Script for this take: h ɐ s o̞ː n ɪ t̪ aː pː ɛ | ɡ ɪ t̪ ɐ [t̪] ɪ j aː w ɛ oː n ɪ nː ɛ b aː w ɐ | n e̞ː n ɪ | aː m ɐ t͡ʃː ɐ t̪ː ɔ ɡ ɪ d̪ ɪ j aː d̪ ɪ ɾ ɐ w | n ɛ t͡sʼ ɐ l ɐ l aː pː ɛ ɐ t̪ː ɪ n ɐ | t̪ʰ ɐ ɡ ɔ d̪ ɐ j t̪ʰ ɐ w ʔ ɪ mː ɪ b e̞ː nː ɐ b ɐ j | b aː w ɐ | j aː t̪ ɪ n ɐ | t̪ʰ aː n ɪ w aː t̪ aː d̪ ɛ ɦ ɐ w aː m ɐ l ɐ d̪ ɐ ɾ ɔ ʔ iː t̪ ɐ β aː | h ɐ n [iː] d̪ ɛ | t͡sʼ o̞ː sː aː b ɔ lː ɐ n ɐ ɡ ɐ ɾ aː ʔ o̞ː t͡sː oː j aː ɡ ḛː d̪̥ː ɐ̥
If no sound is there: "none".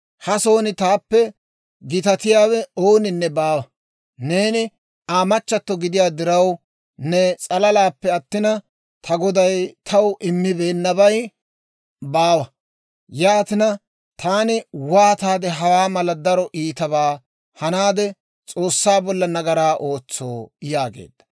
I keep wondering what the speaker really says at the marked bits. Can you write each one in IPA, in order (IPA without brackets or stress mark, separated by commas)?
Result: t̪, aː